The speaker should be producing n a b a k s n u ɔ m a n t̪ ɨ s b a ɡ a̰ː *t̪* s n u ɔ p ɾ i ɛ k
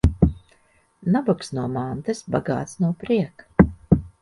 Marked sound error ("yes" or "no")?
no